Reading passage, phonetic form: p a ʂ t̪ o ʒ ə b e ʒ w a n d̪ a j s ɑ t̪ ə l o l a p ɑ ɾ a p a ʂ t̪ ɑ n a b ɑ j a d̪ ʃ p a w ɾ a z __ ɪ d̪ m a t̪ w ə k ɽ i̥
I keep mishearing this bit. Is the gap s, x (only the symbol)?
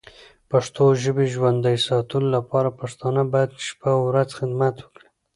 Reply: x